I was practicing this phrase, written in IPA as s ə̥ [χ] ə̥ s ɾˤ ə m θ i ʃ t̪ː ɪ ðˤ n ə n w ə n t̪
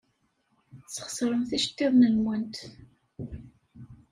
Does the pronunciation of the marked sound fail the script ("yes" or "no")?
no